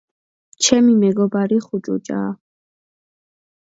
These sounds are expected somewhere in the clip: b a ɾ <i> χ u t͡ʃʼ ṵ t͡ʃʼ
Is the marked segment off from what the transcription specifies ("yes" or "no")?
no